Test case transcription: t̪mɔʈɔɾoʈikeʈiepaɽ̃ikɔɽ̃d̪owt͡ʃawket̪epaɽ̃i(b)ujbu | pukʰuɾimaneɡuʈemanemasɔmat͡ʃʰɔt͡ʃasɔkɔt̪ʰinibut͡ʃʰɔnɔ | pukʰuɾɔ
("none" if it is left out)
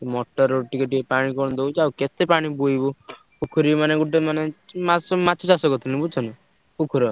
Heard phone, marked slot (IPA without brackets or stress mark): b